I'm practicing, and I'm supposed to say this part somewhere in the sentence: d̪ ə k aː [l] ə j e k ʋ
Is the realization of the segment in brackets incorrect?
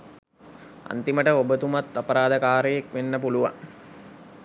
yes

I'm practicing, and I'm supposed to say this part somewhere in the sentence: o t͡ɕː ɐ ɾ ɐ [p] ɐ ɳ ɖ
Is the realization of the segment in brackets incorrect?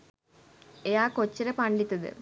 no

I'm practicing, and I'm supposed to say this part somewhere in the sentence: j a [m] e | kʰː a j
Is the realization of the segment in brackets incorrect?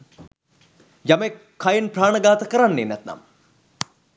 no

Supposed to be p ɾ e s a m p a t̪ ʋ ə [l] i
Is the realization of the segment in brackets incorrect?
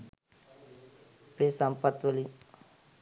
no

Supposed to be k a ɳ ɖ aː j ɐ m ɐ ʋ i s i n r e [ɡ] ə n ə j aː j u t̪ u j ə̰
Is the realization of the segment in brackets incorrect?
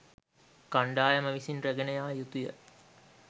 no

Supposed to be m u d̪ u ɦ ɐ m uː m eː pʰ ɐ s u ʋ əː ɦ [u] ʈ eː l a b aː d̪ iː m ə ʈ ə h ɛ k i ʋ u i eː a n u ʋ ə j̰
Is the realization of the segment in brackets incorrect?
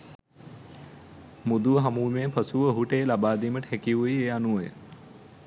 no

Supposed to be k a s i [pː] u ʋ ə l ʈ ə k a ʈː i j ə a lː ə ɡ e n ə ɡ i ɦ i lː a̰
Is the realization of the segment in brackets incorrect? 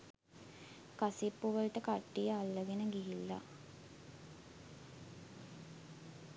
no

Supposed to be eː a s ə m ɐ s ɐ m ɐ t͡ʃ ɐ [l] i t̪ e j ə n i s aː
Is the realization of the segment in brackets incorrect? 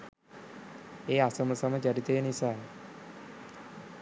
yes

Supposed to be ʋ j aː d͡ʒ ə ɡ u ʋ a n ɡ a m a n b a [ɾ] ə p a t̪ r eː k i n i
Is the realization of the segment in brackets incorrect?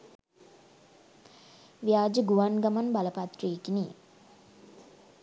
yes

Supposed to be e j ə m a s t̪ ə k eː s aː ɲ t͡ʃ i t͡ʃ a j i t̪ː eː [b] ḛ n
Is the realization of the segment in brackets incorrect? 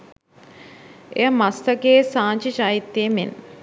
yes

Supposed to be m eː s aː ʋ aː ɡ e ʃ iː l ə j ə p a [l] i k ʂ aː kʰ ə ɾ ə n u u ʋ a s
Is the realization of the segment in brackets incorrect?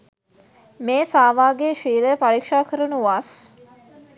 yes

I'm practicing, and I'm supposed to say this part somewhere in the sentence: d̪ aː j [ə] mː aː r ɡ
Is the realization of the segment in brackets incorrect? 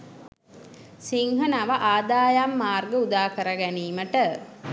yes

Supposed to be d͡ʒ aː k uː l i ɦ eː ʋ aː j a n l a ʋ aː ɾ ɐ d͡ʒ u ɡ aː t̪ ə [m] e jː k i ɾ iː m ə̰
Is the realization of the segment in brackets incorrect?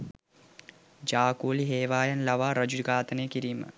yes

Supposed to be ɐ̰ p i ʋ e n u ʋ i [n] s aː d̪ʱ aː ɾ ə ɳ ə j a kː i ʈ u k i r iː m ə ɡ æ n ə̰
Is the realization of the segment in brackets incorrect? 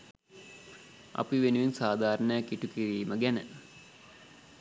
no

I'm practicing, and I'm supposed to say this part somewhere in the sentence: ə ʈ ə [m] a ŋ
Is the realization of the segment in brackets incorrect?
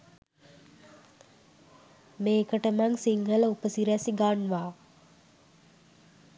no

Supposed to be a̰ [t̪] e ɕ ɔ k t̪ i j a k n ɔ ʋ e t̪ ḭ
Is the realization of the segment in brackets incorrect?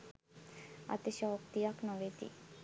no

